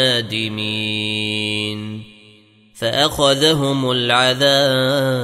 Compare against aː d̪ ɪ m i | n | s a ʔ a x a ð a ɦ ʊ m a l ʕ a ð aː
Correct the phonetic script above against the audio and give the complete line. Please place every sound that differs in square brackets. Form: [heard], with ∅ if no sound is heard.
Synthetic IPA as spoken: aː d̪ ɪ m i | n | [f] a ʔ a x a ð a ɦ ʊ m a l ʕ a ð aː